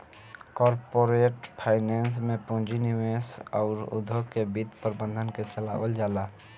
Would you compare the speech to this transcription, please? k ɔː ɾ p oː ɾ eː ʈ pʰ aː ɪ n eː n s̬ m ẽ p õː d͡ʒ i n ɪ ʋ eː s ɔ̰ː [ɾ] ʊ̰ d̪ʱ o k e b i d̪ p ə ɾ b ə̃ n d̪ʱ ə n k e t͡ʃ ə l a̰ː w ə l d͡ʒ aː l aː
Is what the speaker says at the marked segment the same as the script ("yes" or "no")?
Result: yes